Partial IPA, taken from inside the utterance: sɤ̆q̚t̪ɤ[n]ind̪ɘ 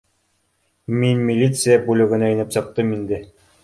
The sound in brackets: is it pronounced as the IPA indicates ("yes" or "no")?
no